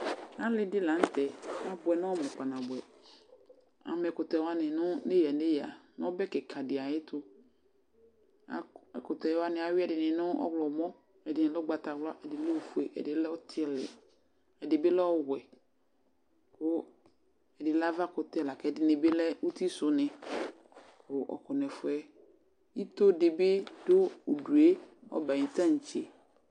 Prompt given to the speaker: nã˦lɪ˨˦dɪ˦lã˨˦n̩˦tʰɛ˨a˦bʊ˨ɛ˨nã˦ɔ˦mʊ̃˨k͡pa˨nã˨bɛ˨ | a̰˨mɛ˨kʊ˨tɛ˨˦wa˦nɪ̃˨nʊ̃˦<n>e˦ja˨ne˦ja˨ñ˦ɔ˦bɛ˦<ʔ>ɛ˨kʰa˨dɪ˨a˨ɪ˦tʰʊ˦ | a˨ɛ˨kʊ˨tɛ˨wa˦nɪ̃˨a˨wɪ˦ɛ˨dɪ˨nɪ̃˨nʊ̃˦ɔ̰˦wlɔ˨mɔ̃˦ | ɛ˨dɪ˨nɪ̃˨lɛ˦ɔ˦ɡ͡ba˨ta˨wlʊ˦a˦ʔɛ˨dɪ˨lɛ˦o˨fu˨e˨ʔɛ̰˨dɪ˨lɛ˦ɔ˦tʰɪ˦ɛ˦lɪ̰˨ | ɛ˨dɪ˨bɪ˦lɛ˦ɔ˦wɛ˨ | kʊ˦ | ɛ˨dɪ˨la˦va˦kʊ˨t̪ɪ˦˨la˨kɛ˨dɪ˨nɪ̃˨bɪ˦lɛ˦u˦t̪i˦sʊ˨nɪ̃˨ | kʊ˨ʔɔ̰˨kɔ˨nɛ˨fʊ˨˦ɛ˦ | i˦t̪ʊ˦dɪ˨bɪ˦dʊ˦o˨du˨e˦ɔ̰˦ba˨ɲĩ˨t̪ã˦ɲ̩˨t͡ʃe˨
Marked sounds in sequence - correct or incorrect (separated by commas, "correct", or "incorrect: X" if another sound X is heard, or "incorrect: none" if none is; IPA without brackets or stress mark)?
correct, incorrect: k